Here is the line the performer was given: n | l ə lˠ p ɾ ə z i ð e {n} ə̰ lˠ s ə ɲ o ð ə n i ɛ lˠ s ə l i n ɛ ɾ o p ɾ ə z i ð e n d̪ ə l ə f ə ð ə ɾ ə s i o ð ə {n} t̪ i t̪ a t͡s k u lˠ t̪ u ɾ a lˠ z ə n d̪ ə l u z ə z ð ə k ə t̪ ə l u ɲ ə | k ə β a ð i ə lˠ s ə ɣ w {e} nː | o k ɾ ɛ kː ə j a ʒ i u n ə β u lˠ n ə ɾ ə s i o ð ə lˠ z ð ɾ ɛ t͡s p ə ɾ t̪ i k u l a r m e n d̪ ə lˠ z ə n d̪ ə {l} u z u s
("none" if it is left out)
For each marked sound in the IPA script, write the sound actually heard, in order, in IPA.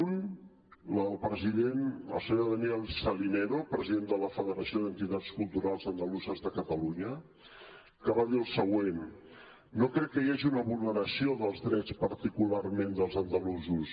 n, n, e, l

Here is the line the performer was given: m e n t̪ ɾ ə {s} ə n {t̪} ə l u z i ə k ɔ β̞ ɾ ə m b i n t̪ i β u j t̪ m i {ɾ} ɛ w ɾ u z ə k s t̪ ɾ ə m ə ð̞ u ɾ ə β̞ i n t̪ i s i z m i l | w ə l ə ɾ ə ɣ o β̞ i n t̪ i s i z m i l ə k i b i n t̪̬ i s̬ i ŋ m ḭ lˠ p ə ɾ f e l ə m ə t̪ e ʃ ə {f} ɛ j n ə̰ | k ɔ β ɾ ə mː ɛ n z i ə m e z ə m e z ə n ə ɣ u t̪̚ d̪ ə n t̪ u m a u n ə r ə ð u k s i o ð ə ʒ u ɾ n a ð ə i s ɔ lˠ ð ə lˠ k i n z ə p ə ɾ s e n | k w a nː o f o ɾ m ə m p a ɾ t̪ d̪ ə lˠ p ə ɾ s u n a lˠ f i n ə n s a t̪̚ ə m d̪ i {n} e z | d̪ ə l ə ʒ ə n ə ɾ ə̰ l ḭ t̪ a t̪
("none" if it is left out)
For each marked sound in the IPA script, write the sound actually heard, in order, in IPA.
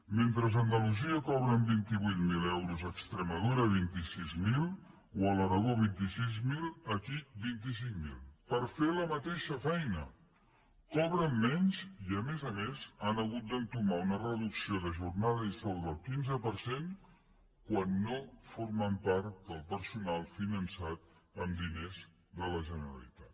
z, d̪, l, f, n

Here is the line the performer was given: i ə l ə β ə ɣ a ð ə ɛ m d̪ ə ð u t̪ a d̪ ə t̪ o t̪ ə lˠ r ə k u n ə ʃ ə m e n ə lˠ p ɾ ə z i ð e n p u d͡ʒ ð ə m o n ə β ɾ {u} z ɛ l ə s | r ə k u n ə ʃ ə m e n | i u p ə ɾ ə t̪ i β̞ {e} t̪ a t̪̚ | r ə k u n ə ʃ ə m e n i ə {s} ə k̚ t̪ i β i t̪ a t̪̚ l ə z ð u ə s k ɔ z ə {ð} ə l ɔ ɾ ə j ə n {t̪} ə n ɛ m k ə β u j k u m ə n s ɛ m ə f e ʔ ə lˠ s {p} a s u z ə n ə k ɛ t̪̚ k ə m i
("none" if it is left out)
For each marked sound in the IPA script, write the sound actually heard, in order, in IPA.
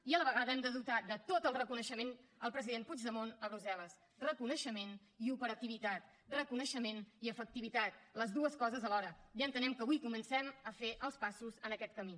u, i, f, z, t̪, p

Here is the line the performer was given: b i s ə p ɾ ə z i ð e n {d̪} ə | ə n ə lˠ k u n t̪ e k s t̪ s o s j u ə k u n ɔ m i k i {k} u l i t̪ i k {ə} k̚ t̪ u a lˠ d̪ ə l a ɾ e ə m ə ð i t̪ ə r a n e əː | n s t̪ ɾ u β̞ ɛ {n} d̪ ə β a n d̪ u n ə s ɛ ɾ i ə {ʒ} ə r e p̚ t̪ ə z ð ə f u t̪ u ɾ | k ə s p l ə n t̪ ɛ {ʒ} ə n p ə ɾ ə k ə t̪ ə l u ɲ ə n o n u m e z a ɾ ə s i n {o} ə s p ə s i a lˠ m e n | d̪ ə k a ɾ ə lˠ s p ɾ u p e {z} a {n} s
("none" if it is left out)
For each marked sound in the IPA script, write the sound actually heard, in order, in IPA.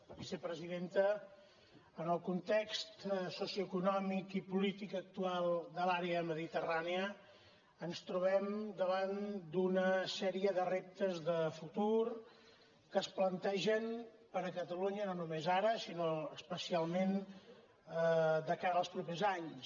t̪, p, ə, m, ð, ʒ, o, z, ɲ

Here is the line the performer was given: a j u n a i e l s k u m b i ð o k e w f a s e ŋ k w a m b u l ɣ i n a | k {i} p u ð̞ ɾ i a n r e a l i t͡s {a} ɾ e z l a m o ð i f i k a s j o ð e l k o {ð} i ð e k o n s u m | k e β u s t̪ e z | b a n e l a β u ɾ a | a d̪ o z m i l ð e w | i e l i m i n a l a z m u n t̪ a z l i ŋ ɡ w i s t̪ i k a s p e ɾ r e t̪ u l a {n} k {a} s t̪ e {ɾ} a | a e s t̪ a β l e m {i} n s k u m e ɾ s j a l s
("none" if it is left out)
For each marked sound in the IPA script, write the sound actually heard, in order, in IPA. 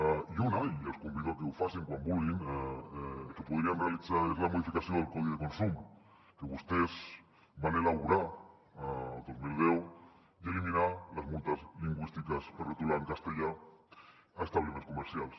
e, a, ð, ŋ, a, ʎ, e

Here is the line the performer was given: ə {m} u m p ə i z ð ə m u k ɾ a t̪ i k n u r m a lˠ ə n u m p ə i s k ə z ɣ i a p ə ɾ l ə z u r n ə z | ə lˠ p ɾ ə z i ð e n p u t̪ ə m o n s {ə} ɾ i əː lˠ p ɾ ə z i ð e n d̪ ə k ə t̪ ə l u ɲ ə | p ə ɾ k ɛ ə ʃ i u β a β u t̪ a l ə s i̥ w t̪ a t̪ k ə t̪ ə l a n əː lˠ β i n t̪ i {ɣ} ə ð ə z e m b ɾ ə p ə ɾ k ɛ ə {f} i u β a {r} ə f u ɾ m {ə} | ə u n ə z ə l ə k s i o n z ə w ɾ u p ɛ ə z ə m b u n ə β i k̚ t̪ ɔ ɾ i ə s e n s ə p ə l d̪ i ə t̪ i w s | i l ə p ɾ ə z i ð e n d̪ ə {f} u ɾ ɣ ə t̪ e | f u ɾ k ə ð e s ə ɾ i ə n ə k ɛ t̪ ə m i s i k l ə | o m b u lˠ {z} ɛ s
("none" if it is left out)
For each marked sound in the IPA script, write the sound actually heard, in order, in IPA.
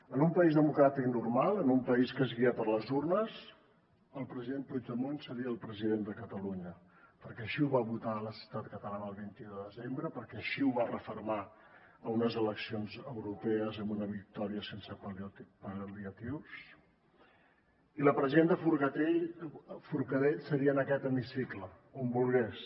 n, ə, ð, ʃ, r, a, f, ɣ

